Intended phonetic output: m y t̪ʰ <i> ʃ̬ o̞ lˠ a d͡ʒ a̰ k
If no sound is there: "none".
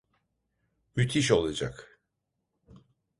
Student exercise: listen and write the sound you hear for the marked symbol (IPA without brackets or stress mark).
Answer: i